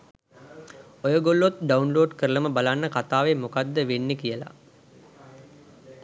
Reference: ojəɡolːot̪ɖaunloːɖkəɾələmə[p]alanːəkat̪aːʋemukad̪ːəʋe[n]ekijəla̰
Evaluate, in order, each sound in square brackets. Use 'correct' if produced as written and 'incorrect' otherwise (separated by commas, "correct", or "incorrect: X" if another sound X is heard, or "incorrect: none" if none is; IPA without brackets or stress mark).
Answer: incorrect: b, incorrect: nː